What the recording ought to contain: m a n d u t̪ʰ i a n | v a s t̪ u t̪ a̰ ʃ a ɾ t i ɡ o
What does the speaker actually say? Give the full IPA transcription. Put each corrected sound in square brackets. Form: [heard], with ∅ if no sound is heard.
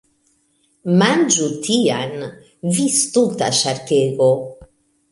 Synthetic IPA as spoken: m a n [d͡ʒ] u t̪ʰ i a n | v [i] s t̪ u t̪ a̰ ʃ a ɾ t [e] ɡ o